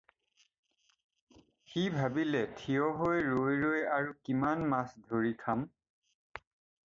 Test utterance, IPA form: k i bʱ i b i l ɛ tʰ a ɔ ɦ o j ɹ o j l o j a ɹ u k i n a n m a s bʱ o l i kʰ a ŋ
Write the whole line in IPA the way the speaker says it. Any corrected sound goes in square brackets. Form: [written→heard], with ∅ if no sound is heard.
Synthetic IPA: [k→x] i bʱ [i→a] b i l ɛ tʰ [a→i] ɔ ɦ o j ɹ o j [l→ɹ] o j a ɹ u k i [n→m] a n m a s [bʱ→dʱ] o [l→ɹ] i kʰ a [ŋ→m]